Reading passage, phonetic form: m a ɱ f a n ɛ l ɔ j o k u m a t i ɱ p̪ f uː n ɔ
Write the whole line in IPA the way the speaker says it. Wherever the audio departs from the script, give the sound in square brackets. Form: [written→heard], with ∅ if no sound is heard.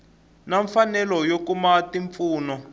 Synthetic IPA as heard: [m→n] a ɱ f a n ɛ l ɔ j o k u m a t i ɱ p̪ f uː n ɔ